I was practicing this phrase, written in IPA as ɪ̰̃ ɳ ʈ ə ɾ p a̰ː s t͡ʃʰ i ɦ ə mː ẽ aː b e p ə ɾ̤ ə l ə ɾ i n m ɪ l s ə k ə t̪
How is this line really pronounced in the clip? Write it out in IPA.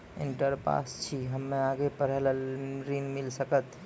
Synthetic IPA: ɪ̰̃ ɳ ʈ ə ɾ p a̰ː s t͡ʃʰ i ɦ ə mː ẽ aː ɡ e p ə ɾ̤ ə l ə ɾ i n m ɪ l s ə k ə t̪